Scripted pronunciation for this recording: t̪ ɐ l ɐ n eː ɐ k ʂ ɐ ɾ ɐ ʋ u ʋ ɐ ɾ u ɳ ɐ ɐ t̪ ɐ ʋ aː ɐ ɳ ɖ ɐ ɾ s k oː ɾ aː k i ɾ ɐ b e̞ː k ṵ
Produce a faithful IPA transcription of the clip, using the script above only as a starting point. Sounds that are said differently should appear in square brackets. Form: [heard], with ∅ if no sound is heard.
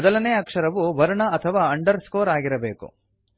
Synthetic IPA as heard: [d̪] ɐ l ɐ n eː ɐ k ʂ ɐ ɾ ɐ ʋ u ʋ ɐ ɾ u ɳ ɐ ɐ [t̪ʰ] ɐ ʋ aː ɐ ɳ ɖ ɐ ɾ s k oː ɾ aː [ɡ] i ɾ ɐ b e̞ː k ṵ